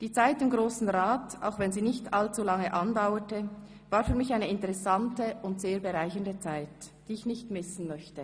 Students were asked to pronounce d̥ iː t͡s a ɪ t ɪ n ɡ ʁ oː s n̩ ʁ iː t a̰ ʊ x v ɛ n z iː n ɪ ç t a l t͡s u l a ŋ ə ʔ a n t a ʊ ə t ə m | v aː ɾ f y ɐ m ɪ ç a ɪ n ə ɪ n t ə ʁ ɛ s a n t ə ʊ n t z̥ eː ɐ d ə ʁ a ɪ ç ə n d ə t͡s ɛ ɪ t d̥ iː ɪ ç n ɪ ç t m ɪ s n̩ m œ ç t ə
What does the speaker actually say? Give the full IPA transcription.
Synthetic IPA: d̥ iː t͡s a ɪ t ɪ m ɡ ʁ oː s n̩ ʁ aː t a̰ ʊ x v ɛ n z iː n ɪ ç t a l t͡s u l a ŋ ə ʔ a n d a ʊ ə t ə | v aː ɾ f yː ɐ m ɪ ç a ɪ n ə ɪ n t ə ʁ ɛ s a n t ə ʊ n t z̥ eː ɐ b ə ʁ a ɪ ç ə n d ə t͡s a ɪ t d̥ iː ɪ ç n ɪ ç t m ɪ s n̩ m œ ç t ə